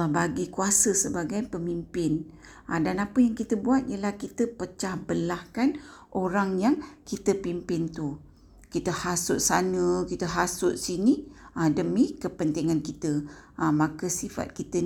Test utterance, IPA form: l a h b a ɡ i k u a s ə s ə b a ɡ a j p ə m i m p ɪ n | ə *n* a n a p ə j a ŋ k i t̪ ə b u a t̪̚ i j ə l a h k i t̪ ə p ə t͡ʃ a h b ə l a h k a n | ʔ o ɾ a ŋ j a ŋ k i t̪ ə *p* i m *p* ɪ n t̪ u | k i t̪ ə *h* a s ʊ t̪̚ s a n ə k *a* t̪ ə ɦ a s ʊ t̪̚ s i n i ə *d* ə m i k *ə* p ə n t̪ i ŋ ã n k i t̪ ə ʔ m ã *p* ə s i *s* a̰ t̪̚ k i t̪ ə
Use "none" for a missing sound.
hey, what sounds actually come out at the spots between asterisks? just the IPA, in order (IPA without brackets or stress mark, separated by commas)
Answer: d, p, p, h, i, d, ə, k, f